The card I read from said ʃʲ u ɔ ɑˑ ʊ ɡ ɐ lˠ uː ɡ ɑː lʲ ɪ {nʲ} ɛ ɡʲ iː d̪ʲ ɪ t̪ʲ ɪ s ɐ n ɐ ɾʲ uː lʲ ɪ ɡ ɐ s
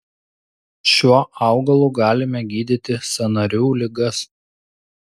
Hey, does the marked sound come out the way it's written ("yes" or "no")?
no